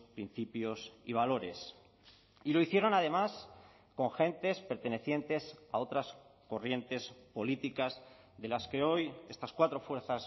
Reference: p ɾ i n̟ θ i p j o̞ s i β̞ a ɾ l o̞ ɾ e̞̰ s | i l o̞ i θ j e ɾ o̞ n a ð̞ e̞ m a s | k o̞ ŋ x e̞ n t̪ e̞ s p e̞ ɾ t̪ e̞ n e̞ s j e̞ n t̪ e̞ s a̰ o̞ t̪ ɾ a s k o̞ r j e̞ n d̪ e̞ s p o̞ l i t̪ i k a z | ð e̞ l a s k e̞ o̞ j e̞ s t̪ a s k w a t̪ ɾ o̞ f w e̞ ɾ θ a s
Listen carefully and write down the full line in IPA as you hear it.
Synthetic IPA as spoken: p ɾ i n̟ θ i p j o̞ s i β̞ a l o̞ ɾ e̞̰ s | i l o̞ i θ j e ɾ o̞ n a ð̞ e̞ m a s | k o̞ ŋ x e̞ n t̪ e̞ s p e̞ ɾ t̪ e̞ n e̞ θ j e̞ n t̪ e̞ s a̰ o̞ t̪ ɾ a s k o̞ r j e̞ n t̪ e̞ s p o̞ l i t̪ i k a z | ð e̞ l a s k e̞ o̞ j e̞ s t̪ a s k w a t̪ ɾ o̞ f w e̞ ɾ θ a s